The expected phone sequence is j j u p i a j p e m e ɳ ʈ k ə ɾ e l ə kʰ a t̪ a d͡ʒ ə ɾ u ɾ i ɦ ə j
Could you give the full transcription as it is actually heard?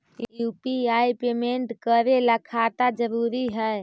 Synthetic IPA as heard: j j u p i a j p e m e ɳ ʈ k ə ɾ e l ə kʰ a t̪ a d͡ʒ ə ɾ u ɾ i ɦ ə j